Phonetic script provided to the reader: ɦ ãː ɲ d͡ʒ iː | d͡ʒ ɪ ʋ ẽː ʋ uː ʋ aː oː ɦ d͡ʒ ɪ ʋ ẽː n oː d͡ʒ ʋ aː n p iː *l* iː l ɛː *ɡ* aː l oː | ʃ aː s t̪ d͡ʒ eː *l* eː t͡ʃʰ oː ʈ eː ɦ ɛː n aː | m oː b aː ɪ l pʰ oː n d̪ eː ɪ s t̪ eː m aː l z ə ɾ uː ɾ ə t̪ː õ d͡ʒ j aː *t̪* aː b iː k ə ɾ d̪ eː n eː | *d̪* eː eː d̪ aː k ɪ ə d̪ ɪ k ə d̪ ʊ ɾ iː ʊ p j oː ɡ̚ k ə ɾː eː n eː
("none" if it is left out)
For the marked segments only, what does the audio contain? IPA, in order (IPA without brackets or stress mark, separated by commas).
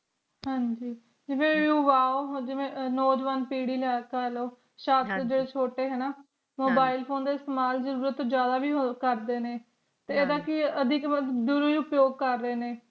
ɽ, k, ɽ, d̪, t̪